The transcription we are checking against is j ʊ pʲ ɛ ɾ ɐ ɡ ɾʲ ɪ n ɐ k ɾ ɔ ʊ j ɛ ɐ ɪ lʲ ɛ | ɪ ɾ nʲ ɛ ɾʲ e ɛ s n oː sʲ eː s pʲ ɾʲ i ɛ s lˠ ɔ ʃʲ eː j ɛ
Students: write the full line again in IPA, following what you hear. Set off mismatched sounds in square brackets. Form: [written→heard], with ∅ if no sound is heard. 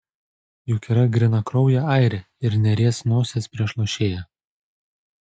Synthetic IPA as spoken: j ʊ [pʲ→kʲ] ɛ ɾ ɐ ɡ ɾʲ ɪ n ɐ k ɾ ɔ ʊ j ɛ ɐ ɪ [lʲ→ɾʲ] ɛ | ɪ ɾ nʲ ɛ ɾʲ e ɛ s n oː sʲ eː s pʲ ɾʲ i ɛ [s→ʃ] lˠ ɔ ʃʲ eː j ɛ

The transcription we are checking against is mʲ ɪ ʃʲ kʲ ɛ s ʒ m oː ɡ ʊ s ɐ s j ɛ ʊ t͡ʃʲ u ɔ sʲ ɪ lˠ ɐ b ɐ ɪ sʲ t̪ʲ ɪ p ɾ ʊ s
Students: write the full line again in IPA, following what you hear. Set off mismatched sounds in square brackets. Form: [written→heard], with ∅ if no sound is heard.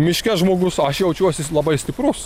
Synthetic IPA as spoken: mʲ ɪ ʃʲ kʲ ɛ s ʒ m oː ɡ ʊ s ɐ [s→ʃ] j ɛ ʊ t͡ʃʲ u ɔ sʲ ɪ lˠ ɐ b ɐ ɪ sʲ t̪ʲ ɪ p ɾ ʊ s

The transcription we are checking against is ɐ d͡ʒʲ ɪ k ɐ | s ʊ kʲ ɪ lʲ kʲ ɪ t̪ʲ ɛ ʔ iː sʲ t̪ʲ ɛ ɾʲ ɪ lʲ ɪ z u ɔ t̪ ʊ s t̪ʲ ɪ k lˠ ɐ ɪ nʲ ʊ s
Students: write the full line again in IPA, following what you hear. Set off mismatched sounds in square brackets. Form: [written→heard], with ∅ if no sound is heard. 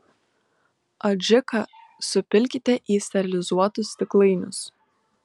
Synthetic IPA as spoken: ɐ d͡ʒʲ ɪ k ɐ | s ʊ [kʲ→pʲ] ɪ lʲ kʲ ɪ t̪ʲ ɛ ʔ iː sʲ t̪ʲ ɛ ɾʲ ɪ lʲ ɪ z u ɔ t̪ ʊ s t̪ʲ ɪ k lˠ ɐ ɪ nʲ ʊ s

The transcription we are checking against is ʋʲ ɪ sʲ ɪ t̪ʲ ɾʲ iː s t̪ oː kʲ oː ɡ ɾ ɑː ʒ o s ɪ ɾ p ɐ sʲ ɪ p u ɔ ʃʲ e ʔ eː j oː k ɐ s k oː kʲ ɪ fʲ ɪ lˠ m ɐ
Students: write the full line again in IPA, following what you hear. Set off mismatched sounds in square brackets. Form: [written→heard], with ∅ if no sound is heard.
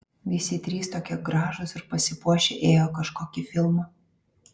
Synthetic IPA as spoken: ʋʲ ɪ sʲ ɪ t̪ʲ ɾʲ iː s t̪ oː kʲ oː ɡ ɾ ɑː ʒ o s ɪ ɾ p ɐ sʲ ɪ p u ɔ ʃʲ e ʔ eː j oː k ɐ [s→ʃ] k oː kʲ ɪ fʲ ɪ lˠ m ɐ

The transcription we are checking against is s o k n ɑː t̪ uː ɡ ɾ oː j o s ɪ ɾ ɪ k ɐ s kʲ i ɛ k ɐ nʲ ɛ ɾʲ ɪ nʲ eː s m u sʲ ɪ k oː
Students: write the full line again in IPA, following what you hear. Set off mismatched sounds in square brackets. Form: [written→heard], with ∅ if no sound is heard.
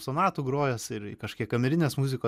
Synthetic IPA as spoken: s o [k→∅] n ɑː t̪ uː ɡ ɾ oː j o s ɪ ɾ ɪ k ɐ [s→ʃ] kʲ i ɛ k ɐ [nʲ→mʲ] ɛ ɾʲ ɪ nʲ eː s m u [sʲ→zʲ] ɪ k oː

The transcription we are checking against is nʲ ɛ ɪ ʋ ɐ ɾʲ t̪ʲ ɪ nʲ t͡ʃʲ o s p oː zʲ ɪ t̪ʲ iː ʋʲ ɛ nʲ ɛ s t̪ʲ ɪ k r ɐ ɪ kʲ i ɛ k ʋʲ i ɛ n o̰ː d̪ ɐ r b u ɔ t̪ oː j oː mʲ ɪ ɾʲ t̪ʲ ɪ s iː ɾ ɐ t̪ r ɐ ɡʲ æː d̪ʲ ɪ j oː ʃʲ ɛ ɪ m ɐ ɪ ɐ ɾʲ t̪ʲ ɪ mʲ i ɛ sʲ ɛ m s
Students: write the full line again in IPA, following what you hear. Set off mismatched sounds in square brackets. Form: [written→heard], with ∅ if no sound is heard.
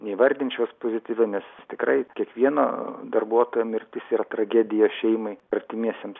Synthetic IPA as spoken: nʲ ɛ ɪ ʋ ɐ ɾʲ [t̪ʲ→d̪ʲ] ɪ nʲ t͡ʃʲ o s p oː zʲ ɪ t̪ʲ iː ʋʲ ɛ nʲ ɛ s t̪ʲ ɪ k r ɐ ɪ kʲ i ɛ k ʋʲ i ɛ n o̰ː d̪ ɐ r b u ɔ t̪ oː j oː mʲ ɪ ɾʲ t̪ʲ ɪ s iː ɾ ɐ t̪ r ɐ ɡʲ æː d̪ʲ ɪ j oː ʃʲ ɛ ɪ m ɐ ɪ ɐ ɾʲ t̪ʲ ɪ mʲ i ɛ sʲ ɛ m s

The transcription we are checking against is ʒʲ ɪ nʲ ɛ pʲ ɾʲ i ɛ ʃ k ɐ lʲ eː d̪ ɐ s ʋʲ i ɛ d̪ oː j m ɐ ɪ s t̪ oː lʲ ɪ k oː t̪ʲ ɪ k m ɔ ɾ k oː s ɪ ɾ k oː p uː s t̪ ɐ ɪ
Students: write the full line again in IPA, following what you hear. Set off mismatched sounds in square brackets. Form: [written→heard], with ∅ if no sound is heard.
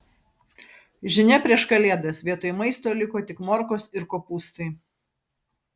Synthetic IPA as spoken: ʒʲ ɪ nʲ ɛ pʲ ɾʲ i ɛ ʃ k ɐ lʲ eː d̪ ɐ s ʋʲ i ɛ [d̪→t̪] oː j m ɐ ɪ s t̪ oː lʲ ɪ k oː t̪ʲ ɪ k m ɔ ɾ k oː s ɪ ɾ k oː p uː s t̪ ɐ ɪ

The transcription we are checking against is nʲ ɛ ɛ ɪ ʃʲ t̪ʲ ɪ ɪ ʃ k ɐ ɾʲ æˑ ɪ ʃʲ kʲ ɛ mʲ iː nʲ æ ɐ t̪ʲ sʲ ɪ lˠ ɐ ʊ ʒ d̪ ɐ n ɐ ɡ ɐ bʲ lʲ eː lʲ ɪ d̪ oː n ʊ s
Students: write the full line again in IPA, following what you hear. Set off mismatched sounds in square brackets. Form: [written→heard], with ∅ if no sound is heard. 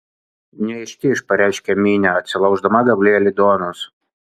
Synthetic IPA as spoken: nʲ ɛ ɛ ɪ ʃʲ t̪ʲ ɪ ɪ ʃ [k→p] ɐ ɾʲ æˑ ɪ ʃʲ kʲ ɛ mʲ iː nʲ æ ɐ t̪ʲ sʲ ɪ lˠ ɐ ʊ ʒ d̪ ɐ [n→m] ɐ ɡ ɐ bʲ lʲ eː lʲ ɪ d̪ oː n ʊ s

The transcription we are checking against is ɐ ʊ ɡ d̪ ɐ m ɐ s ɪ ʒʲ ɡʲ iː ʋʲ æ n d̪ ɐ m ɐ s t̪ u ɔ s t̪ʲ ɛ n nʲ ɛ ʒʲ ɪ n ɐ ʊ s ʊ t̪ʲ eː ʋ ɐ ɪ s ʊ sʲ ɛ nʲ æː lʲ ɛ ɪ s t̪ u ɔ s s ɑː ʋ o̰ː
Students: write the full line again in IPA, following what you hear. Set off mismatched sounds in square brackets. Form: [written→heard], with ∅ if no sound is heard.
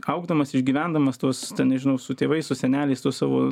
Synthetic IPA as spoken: ɐ ʊ ɡ d̪ ɐ m ɐ s ɪ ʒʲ ɡʲ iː ʋʲ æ n d̪ ɐ m ɐ s t̪ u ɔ s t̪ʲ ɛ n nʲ ɛ ʒʲ ɪ n ɐ ʊ s ʊ t̪ʲ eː ʋ ɐ ɪ s ʊ sʲ ɛ nʲ æː lʲ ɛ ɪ s t̪ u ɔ s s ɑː ʋ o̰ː

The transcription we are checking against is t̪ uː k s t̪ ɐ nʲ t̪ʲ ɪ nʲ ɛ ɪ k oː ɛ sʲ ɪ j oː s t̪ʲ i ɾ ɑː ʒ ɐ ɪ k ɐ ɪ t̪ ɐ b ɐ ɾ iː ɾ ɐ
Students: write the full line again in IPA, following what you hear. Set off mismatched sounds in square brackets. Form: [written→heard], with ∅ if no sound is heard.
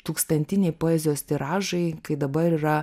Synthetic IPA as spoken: t̪ uː k s t̪ ɐ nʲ t̪ʲ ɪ nʲ ɛ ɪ [k→p] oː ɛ [sʲ→zʲ] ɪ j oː s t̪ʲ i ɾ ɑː ʒ ɐ ɪ k ɐ ɪ [t̪→d̪] ɐ b ɐ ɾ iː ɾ ɐ

